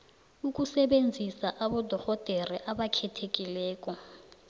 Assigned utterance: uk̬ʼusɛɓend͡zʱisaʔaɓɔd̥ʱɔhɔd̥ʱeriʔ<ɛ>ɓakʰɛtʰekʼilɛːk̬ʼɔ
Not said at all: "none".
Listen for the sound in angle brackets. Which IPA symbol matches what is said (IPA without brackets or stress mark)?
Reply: a